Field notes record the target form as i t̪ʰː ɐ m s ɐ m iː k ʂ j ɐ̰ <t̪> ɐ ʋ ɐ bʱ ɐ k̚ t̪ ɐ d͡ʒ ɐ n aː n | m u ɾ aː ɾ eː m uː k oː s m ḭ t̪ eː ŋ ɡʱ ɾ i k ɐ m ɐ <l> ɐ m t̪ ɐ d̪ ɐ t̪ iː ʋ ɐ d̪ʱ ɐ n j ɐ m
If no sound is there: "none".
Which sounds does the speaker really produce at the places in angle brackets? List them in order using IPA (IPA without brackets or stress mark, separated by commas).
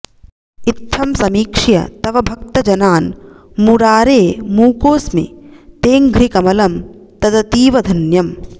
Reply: t̪, l